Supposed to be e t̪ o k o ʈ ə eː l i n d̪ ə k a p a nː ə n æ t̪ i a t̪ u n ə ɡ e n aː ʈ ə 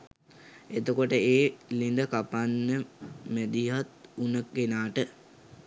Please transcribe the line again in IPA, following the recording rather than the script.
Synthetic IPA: e t̪ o k o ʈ ə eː l i n d̪ ə k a p a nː ə m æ d̪ i a t̪ u n ə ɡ e n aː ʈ ə

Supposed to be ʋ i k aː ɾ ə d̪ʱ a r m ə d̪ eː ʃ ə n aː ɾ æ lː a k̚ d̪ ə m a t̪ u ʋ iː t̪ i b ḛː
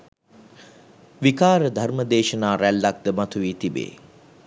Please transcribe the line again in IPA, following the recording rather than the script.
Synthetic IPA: ʋ i k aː ɾ ə d̪ʱ a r m ə d̪ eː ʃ ə n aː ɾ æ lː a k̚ d̪ ə m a t̪ u ʋ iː t̪ i b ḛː

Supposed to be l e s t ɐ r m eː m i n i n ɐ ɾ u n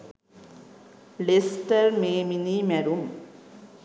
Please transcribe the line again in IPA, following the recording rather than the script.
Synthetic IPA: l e s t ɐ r m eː m i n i m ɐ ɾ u m

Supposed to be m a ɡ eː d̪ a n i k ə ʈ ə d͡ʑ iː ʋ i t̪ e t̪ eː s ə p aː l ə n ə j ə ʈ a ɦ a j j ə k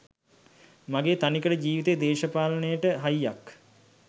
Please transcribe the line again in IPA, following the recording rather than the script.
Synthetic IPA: m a ɡ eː t̪ a n i k ə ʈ ə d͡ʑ iː ʋ i t̪ e d̪ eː ʃ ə p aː l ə n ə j ə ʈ ə ɦ a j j a k

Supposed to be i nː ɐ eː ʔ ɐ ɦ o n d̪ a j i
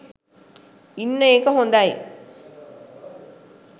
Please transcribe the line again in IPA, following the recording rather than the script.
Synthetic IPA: i nː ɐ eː k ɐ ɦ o n d̪ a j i

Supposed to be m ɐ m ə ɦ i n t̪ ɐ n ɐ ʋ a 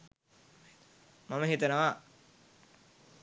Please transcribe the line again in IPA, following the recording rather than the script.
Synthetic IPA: m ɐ m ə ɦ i t̪ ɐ n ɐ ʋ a

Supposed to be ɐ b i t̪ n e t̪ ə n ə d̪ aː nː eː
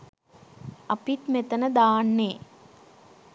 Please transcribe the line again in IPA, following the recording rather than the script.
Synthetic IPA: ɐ p i t̪ m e t̪ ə n ə d̪ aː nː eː

